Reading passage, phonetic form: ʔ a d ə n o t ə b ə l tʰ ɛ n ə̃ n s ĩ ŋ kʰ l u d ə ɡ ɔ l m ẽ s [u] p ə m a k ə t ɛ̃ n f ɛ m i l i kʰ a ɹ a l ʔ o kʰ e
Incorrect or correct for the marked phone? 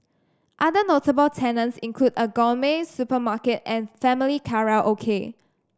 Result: correct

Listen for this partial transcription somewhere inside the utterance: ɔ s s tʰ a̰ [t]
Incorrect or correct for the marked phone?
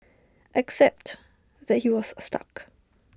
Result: incorrect: k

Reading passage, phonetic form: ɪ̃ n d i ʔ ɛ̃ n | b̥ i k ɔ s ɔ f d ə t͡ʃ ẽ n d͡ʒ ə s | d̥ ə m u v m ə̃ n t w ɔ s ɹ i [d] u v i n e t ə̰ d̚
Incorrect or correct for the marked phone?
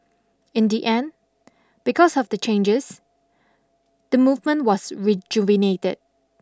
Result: incorrect: d͡ʒ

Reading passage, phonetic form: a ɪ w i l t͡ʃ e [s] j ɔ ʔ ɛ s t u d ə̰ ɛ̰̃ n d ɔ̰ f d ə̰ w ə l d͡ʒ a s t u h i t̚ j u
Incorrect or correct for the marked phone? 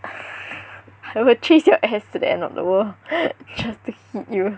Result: correct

